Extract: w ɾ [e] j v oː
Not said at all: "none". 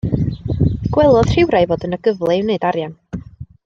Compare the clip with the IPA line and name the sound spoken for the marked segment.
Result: a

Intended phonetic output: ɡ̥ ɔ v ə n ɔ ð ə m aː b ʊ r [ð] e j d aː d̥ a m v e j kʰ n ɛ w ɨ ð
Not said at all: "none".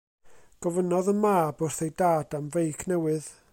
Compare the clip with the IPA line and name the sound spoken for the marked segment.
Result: θ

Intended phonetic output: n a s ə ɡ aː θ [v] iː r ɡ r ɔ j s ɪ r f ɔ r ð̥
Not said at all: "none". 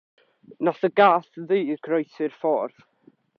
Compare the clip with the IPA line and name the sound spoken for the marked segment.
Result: ð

